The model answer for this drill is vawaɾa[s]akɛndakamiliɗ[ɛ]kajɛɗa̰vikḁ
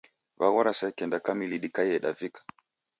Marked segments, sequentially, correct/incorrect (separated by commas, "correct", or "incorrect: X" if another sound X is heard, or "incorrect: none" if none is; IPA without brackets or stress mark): correct, incorrect: i